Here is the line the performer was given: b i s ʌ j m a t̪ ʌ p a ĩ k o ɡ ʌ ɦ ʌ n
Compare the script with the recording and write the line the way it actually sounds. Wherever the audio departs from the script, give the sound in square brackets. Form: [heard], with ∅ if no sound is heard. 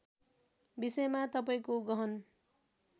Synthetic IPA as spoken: b i s ʌ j m a t̪ ʌ p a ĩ k o ɡ ʌ ɦ ʌ n